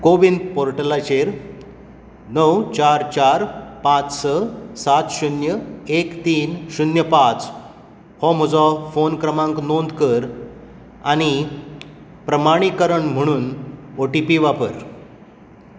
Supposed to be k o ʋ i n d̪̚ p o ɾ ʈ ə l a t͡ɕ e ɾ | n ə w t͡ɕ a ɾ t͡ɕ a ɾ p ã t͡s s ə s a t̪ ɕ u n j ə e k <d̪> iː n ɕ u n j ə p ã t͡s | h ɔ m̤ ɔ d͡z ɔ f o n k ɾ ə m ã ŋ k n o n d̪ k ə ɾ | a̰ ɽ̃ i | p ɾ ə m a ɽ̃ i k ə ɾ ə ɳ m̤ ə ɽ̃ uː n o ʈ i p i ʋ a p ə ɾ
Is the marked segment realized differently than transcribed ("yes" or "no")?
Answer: yes